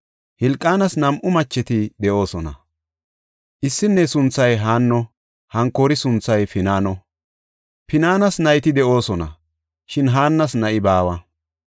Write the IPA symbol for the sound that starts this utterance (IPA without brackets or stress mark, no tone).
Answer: h